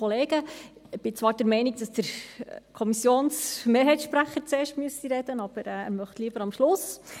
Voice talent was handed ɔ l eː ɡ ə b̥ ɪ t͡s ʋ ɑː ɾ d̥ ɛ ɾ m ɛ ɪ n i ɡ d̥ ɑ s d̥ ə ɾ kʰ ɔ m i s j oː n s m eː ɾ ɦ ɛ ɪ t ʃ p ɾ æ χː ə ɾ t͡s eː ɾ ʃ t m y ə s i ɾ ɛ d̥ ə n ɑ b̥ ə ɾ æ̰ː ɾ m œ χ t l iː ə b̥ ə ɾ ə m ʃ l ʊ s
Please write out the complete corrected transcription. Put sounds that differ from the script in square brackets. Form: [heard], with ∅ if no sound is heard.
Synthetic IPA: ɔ l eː ɡ ə b̥ ɪ t͡s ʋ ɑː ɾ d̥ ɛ ɾ m ɛ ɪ n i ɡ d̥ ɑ s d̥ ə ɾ kʰ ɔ m i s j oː n s m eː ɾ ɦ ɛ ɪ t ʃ p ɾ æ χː ə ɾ t͡s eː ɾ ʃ t m y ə s i ɾ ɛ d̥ ə n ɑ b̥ ə ɾ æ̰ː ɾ m œ χ t l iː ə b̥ ə ɾ [ɑ] m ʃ l ʊ s